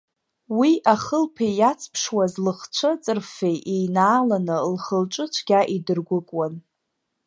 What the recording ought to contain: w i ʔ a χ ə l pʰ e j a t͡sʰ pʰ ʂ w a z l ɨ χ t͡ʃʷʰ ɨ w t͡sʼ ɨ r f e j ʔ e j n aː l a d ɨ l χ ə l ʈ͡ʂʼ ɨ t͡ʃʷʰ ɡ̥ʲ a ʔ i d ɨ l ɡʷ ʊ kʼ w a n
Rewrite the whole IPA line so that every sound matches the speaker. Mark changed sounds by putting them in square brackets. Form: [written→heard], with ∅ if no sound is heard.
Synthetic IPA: w i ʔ a χ ə l pʰ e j a t͡sʰ pʰ ʂ w a z l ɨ χ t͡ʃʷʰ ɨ [w→∅] t͡sʼ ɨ r f e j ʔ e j n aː l a [d→n] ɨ l χ ə l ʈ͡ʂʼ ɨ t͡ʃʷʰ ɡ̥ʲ a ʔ i d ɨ [l→r] ɡʷ ʊ kʼ w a n